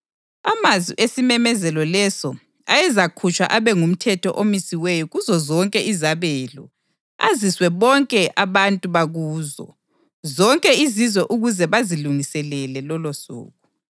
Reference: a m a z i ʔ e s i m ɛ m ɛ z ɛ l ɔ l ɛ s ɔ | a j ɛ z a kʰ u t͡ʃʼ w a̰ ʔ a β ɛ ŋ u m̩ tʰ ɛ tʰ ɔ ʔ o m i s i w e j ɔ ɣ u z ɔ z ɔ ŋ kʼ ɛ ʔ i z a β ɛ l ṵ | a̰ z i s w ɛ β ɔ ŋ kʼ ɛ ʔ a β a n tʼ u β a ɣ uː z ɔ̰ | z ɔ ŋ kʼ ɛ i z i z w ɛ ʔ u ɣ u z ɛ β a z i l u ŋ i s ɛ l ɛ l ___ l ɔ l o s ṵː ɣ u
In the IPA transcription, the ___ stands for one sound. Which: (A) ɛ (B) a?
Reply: A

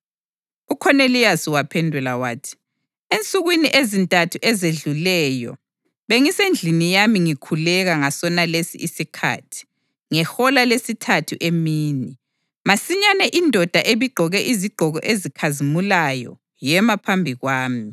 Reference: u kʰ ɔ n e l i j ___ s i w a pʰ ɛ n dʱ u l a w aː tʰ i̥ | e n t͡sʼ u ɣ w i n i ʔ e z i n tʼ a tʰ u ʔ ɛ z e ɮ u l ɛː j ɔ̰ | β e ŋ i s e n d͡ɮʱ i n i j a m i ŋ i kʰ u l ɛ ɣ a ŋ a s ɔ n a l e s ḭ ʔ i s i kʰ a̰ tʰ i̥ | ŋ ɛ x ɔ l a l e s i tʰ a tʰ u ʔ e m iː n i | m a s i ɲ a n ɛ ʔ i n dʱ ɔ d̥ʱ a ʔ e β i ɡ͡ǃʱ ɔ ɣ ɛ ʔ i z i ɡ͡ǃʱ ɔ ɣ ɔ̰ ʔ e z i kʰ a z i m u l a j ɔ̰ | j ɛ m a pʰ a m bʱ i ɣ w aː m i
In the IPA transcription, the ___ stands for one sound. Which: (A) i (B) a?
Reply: B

